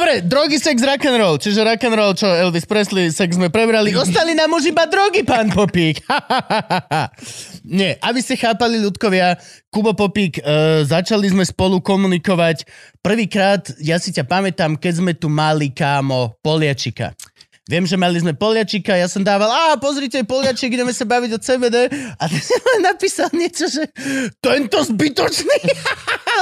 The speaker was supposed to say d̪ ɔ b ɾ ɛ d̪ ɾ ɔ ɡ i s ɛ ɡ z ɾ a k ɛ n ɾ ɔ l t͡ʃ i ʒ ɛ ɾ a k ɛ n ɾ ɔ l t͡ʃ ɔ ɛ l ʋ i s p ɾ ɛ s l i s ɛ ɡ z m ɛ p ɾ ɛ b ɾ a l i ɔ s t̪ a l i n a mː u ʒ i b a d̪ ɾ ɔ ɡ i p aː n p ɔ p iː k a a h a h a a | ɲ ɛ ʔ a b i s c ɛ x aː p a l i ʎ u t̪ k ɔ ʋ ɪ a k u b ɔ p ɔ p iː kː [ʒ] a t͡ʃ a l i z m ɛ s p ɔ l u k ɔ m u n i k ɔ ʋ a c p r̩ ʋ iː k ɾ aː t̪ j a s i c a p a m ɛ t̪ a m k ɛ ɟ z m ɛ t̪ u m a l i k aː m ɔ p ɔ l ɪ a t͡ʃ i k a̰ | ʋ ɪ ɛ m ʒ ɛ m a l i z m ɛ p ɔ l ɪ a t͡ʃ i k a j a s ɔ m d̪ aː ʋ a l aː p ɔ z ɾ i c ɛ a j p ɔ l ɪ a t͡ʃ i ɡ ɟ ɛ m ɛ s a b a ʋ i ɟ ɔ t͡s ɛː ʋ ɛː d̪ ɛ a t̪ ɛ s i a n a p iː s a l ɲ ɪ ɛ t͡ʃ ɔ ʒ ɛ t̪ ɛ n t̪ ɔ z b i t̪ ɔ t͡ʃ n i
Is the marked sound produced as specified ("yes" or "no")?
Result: no